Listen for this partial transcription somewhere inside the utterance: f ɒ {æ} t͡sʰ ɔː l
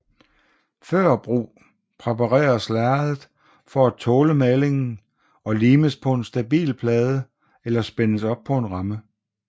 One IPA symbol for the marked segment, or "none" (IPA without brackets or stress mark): æ